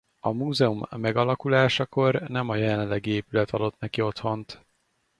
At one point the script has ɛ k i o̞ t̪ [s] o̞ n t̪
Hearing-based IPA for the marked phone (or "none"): h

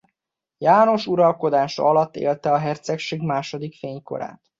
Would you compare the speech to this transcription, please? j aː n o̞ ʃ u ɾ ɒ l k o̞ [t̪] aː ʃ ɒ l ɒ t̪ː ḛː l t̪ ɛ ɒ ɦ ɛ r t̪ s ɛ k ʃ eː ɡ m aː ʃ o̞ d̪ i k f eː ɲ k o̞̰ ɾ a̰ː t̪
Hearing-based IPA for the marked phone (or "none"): d̪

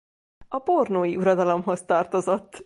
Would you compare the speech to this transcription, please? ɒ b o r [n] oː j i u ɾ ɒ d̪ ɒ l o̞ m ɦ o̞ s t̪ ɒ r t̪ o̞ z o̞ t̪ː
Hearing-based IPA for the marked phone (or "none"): n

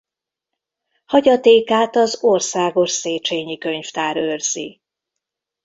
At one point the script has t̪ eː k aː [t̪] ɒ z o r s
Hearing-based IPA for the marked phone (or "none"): t̪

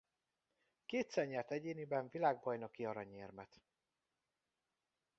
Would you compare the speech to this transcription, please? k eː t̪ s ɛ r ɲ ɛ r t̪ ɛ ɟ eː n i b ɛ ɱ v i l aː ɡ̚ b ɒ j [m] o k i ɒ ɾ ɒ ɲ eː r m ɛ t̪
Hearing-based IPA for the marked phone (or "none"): n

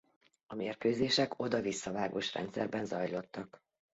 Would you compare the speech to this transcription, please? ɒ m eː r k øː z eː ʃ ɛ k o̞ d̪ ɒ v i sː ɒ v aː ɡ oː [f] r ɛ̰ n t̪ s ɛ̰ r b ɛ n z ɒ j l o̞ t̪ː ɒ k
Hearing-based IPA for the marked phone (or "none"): ʃ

